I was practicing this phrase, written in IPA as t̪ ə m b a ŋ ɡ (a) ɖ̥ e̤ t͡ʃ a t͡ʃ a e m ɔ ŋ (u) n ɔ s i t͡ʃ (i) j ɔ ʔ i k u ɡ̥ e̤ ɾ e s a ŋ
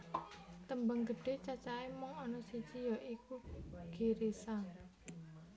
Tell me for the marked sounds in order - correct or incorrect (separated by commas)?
incorrect, incorrect, correct